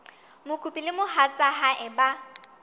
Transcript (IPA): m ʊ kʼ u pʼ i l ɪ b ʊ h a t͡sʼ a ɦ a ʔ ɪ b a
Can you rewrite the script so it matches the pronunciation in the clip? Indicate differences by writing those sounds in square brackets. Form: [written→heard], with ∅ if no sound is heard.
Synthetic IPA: m ʊ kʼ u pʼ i l ɪ [b→m] ʊ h a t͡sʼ a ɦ a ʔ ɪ b a